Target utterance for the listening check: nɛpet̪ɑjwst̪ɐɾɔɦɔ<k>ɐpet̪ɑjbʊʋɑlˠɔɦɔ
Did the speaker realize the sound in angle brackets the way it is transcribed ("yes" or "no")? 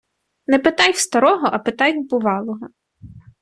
no